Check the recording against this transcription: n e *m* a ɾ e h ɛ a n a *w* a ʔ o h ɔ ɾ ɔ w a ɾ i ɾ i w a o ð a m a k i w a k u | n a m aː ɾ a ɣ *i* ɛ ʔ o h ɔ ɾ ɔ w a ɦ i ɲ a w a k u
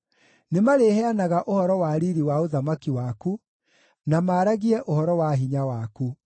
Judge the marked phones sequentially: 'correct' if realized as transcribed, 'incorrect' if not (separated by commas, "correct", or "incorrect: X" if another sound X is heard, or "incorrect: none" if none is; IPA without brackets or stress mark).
correct, incorrect: ɣ, correct